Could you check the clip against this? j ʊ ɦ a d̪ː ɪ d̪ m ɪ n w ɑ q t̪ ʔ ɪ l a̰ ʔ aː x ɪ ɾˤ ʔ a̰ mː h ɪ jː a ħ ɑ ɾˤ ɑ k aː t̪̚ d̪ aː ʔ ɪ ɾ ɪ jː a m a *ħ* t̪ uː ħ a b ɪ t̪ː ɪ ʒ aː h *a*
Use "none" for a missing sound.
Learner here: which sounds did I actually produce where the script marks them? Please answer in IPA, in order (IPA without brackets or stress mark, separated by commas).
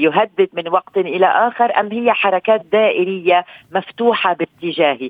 f, i